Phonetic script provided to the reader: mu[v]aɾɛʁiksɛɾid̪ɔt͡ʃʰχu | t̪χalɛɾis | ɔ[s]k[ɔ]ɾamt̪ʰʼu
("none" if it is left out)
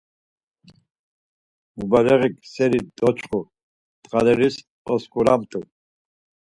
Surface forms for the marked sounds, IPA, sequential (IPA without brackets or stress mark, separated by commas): b, s, u